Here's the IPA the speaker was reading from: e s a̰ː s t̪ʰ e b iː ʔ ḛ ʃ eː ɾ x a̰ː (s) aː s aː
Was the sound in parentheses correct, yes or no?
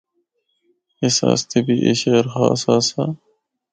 yes